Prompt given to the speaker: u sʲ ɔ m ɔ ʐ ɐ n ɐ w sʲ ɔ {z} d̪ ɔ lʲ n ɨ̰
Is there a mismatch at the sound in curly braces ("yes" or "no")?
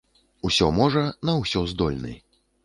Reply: no